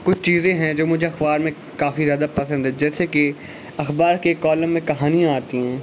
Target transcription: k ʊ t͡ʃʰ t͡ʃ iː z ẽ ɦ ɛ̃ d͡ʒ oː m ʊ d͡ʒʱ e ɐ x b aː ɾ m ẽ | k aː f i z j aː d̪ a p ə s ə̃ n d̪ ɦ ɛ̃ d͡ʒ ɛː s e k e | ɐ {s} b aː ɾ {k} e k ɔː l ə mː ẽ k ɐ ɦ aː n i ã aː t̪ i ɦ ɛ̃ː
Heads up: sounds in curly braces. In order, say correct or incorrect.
incorrect, correct

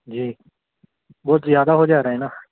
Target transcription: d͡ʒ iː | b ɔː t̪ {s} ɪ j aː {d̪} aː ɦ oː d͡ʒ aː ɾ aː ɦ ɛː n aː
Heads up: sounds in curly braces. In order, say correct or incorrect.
incorrect, correct

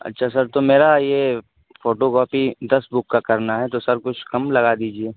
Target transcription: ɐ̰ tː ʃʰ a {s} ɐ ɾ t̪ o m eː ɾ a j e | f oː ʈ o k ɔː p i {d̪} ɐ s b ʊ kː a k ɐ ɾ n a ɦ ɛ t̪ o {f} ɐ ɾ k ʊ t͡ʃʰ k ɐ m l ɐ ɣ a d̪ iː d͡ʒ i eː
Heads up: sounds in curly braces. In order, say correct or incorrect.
correct, correct, incorrect

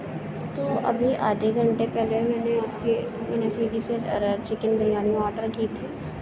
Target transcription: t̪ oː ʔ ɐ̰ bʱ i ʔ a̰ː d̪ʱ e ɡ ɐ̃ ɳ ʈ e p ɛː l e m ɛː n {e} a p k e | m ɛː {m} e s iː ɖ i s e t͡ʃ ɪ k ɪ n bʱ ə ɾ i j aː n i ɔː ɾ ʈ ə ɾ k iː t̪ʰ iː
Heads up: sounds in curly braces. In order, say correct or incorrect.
correct, incorrect

